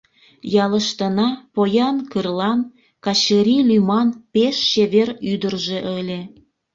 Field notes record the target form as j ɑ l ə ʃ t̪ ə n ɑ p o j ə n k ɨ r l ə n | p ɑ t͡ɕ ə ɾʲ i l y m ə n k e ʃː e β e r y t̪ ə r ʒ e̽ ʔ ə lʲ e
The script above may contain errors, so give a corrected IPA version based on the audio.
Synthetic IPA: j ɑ l ə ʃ t̪ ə n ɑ p o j ɑ n k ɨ r l ɑ n | k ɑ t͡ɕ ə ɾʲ i l y m ɑ n p e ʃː e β e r y d̪ ə r ʒ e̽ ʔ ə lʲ e